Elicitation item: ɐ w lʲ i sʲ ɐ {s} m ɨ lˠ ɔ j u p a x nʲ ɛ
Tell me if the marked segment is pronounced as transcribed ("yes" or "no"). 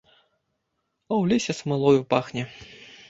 yes